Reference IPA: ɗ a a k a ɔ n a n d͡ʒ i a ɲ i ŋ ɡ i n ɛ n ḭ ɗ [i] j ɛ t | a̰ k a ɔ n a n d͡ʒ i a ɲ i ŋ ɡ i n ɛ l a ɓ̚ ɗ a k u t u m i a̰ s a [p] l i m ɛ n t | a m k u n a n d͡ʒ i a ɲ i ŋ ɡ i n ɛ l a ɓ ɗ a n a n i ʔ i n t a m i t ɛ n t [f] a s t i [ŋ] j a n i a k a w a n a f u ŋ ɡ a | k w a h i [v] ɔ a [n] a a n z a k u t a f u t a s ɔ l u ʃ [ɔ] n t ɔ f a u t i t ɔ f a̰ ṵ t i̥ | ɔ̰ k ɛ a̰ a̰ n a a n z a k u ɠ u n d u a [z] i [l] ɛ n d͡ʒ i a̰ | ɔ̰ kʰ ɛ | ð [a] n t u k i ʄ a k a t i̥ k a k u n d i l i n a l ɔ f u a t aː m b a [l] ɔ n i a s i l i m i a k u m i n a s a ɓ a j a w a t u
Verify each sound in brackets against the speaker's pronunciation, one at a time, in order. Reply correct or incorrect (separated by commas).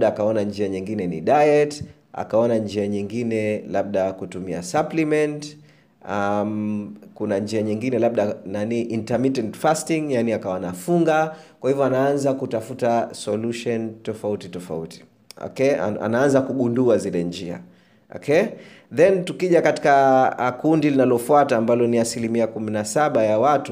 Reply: incorrect, correct, correct, correct, correct, correct, correct, correct, correct, incorrect, correct